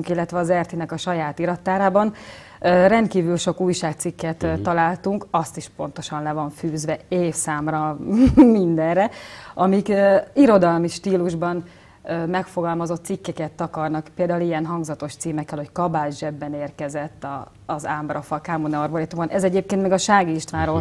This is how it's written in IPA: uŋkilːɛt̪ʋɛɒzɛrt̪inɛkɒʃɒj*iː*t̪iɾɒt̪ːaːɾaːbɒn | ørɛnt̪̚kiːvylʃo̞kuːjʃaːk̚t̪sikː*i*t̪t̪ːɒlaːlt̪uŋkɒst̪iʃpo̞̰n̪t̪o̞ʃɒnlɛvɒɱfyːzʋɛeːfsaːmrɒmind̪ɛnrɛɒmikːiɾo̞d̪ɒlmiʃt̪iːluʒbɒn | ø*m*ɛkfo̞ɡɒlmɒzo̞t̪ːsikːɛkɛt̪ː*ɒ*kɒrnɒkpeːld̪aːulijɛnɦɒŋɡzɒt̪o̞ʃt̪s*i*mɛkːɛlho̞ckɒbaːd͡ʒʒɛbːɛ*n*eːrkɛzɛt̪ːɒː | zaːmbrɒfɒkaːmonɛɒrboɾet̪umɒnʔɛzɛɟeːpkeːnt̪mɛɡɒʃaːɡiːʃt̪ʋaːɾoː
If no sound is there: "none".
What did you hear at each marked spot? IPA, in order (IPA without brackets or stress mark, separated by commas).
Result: aː, ɛ, m, ɒ, iː, n